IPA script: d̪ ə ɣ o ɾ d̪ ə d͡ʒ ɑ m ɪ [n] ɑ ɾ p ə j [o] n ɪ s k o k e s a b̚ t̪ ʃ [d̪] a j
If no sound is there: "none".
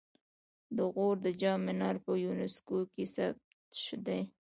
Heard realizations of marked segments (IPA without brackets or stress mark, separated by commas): n, u, d̪